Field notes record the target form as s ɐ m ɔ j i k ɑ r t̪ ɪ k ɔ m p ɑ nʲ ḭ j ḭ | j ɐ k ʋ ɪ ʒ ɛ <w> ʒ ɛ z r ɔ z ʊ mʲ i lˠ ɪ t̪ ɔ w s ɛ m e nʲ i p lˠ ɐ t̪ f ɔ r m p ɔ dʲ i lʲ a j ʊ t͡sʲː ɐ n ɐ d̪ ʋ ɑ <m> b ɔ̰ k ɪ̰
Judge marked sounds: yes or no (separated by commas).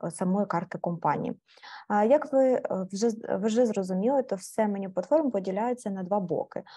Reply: no, no